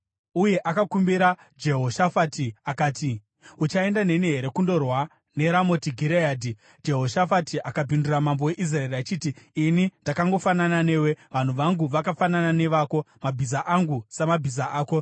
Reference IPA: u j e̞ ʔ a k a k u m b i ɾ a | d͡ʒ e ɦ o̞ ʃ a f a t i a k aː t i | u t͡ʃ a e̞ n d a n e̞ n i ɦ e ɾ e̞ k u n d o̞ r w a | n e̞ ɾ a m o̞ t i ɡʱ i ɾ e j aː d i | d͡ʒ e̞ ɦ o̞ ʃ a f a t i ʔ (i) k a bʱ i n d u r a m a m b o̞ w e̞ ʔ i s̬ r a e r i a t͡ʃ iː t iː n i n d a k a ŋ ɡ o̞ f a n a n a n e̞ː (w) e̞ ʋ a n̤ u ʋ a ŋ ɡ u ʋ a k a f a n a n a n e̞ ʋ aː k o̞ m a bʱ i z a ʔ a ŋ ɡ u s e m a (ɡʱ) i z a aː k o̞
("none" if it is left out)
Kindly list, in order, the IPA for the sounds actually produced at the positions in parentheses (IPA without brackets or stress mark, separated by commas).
a, w, bʱ